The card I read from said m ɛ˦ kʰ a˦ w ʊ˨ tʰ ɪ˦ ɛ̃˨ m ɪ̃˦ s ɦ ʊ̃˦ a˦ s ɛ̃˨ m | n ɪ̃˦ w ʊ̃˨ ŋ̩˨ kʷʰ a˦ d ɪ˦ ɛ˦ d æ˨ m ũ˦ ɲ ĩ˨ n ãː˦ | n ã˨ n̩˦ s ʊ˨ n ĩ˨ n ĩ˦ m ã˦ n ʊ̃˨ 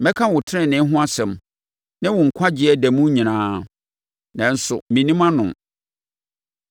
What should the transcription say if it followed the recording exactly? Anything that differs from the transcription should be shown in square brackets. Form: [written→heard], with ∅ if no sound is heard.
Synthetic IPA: m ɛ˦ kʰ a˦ w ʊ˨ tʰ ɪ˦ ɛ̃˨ [m→n] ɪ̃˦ [s→∅] ɦ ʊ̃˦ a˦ s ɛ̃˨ m | n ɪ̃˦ w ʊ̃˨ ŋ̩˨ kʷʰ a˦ [d→d͡ʑ] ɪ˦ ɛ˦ d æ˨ m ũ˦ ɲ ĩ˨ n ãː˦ | n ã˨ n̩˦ s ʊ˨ [n→m] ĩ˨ n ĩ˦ m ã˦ n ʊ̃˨